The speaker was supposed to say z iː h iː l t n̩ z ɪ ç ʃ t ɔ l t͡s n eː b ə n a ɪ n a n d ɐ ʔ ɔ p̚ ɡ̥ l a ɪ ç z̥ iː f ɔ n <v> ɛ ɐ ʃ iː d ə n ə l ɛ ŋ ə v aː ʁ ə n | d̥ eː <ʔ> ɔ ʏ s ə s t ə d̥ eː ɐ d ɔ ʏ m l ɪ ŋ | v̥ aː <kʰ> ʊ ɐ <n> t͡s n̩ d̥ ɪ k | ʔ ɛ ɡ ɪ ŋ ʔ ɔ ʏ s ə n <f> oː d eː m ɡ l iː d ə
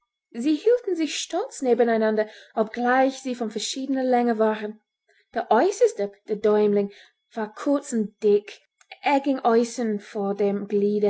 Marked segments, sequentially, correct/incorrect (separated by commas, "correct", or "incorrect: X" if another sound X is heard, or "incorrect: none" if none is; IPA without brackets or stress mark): incorrect: f, correct, correct, incorrect: none, correct